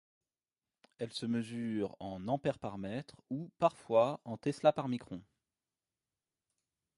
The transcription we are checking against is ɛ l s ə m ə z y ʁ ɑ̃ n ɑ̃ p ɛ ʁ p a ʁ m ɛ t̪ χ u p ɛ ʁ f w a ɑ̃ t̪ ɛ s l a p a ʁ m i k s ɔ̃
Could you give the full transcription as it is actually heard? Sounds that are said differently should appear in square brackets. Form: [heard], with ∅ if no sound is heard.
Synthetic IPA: ɛ l s ə m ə z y ʁ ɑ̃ n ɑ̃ p ɛ ʁ p a ʁ m ɛ t̪ χ u p [a] ʁ f w a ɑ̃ t̪ ɛ s l a p a ʁ m i k [χ] ɔ̃